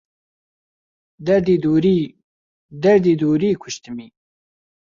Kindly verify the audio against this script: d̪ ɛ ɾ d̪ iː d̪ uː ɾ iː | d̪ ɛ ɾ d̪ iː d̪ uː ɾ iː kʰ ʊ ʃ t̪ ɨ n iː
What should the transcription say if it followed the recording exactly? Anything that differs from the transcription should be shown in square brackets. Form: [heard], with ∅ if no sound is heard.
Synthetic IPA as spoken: d̪ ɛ ɾ d̪ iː d̪ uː ɾ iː | d̪ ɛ ɾ d̪ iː d̪ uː ɾ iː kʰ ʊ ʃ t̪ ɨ [m] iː